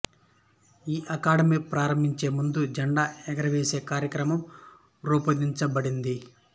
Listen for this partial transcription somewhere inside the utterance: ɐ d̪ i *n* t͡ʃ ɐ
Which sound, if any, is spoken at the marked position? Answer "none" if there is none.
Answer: ɲ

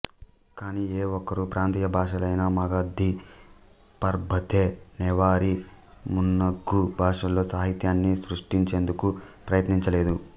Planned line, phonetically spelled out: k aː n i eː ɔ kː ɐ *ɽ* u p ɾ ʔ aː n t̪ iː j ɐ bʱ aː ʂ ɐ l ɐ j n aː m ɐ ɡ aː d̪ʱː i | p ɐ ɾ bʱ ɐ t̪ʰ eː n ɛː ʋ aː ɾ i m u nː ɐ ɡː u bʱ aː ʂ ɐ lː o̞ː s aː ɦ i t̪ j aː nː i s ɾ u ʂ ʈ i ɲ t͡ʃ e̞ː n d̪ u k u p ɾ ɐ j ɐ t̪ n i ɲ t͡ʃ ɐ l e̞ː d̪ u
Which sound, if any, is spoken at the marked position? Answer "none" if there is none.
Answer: ɾ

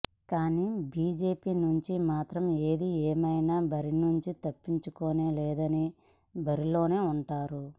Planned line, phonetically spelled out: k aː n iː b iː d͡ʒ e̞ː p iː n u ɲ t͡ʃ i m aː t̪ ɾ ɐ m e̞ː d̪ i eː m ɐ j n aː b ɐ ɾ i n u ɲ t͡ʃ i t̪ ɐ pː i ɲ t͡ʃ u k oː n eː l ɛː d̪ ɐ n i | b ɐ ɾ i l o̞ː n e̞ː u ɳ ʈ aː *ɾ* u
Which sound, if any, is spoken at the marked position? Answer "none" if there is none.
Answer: ɾ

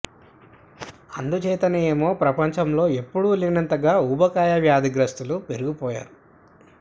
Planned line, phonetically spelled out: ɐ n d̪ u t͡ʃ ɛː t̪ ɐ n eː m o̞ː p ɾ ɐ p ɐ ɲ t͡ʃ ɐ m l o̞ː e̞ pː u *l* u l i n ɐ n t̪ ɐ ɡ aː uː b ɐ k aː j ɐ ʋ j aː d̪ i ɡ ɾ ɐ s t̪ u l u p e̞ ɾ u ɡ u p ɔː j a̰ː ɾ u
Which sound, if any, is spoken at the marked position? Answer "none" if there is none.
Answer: ɽ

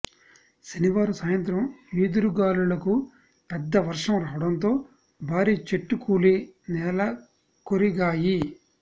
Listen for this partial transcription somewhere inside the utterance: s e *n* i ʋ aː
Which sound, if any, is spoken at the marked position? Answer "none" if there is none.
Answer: n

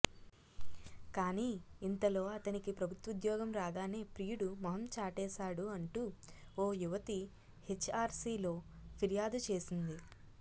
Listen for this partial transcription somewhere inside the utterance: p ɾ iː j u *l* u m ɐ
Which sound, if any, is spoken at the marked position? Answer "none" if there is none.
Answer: ɽ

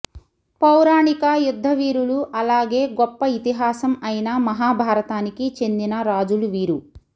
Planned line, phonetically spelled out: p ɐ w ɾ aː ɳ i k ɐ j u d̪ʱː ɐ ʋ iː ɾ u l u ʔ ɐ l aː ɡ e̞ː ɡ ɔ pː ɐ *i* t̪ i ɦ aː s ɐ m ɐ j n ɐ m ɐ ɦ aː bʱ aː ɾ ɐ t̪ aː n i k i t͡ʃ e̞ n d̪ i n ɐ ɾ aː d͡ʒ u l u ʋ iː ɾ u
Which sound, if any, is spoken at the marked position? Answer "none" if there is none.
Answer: i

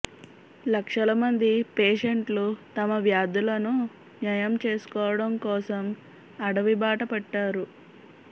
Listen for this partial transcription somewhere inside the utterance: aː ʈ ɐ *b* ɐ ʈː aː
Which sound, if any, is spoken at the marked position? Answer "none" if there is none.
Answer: p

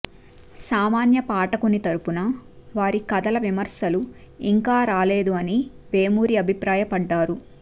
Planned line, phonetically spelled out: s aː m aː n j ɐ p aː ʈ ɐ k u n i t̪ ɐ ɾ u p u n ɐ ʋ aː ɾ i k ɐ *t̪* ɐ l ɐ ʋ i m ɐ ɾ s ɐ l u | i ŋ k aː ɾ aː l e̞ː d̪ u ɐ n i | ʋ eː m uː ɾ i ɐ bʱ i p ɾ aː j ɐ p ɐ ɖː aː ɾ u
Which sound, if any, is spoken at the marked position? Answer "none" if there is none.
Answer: d̪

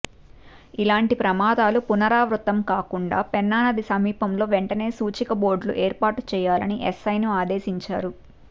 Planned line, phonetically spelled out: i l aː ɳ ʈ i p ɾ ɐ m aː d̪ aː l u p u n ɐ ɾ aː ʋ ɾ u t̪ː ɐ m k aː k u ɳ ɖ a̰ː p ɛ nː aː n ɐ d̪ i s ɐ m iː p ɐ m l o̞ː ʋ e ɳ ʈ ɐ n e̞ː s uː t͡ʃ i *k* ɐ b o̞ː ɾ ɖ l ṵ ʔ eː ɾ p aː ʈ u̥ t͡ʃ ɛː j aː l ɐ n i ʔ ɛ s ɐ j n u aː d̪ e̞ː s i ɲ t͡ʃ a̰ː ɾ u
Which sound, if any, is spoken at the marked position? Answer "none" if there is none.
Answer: k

